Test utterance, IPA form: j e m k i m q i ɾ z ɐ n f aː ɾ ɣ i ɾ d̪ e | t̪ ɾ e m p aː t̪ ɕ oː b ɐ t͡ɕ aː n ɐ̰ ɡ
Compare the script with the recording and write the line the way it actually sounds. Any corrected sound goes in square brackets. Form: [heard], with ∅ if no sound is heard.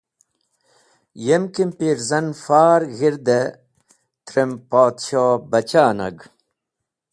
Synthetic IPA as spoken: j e m k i m [p] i ɾ z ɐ n f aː ɾ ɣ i ɾ d̪ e | t̪ ɾ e m p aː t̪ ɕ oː b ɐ t͡ɕ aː n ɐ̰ ɡ